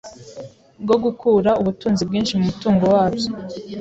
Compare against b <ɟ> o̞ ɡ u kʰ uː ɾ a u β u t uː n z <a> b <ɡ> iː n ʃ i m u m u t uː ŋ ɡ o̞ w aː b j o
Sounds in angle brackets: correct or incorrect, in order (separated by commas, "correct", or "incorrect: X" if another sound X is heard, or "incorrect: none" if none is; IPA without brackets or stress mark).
incorrect: ɡ, incorrect: i, correct